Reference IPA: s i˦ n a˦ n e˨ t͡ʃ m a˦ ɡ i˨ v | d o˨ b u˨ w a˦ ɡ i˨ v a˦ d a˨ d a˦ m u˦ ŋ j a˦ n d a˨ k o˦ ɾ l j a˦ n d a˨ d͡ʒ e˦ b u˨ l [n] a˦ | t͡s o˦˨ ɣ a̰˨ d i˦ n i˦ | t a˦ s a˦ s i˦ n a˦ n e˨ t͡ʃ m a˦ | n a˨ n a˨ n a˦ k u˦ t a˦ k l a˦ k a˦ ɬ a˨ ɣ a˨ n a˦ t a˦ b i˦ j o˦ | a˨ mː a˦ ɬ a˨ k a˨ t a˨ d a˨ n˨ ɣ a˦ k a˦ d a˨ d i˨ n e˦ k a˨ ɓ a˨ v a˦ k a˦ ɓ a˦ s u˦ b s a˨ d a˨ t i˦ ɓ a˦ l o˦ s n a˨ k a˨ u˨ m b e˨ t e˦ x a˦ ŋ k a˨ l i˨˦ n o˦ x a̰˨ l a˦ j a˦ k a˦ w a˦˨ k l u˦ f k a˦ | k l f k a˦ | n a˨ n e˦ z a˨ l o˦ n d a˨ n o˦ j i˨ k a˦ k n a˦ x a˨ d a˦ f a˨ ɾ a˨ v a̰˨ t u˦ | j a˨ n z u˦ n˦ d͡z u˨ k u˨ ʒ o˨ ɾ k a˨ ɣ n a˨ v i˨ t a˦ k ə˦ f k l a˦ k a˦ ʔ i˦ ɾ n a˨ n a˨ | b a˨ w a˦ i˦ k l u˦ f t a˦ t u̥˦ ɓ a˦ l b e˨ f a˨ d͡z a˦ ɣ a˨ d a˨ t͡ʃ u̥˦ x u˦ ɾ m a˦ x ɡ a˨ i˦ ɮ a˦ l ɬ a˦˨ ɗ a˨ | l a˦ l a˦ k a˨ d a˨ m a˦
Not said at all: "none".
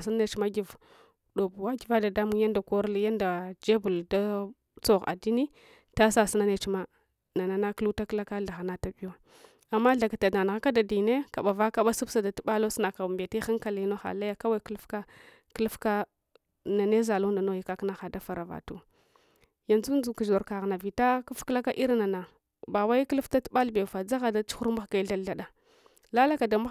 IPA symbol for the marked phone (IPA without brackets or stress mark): d